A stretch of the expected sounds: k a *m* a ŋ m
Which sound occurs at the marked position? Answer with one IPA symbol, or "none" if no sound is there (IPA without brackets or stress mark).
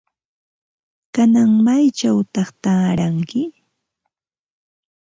n